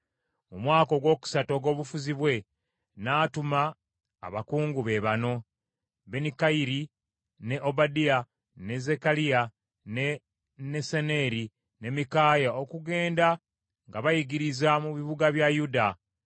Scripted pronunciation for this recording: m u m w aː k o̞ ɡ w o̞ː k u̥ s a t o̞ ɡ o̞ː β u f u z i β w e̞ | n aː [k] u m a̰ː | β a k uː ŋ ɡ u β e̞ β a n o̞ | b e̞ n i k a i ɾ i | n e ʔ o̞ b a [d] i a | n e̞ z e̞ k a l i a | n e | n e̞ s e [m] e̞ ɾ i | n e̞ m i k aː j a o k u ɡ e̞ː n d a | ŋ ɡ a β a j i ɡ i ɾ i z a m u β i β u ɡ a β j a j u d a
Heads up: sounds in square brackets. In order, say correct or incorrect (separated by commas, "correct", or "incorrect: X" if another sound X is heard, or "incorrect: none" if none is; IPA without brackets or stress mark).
incorrect: t, correct, incorrect: n